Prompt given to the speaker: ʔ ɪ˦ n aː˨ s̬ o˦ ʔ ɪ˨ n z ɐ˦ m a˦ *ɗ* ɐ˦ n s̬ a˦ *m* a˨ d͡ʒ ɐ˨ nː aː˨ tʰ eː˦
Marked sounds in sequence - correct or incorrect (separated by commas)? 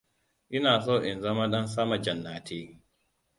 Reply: correct, correct